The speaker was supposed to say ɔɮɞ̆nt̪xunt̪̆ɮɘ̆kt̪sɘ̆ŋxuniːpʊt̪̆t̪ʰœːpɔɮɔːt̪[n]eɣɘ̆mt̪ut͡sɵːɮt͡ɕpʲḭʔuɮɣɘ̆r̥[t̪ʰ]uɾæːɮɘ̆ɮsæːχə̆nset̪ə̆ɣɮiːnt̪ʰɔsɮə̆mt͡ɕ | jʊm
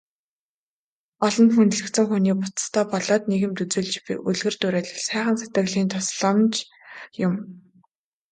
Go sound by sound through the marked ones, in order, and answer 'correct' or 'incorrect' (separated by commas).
correct, incorrect